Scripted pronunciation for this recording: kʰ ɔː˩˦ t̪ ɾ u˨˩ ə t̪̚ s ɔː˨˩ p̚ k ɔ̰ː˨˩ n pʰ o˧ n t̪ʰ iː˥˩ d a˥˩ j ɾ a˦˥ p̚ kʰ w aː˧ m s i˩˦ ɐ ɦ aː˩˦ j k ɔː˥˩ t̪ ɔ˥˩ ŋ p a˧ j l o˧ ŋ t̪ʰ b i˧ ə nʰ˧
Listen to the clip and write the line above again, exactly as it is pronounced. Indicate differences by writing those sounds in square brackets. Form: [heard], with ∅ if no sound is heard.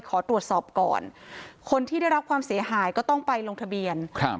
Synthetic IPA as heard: kʰ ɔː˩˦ t̪ ɾ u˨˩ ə t̪̚ s ɔː˨˩ p̚ k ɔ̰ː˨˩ n [kʰ] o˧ n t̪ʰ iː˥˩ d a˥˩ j ɾ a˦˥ p̚ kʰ w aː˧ m s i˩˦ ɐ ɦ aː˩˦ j k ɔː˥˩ t̪ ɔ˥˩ ŋ p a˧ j l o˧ ŋ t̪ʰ b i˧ ə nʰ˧